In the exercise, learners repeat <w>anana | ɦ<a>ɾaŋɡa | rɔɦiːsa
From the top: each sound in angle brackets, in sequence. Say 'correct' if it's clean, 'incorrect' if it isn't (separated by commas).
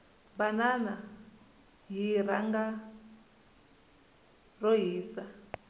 incorrect, incorrect